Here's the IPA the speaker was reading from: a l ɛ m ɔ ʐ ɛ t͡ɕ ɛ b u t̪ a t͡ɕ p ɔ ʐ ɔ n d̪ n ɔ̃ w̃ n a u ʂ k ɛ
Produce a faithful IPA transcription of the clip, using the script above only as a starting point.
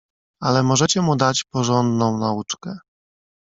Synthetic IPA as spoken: a l ɛ m ɔ ʐ ɛ t͡ɕ ɛ m u d̪ a t͡ɕ p ɔ ʐ ɔ n d̪ n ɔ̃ w̃ n a u t͡ʂ k ɛ